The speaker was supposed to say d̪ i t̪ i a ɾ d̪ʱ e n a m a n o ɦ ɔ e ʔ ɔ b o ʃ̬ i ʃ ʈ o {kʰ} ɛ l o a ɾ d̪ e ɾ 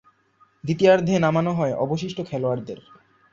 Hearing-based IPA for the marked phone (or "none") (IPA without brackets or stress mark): kʰ